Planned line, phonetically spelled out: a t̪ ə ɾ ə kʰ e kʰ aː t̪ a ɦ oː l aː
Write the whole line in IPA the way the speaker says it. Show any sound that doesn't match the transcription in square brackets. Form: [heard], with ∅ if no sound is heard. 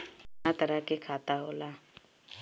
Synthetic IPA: a t̪ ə ɾ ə [k] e kʰ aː t̪ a ɦ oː l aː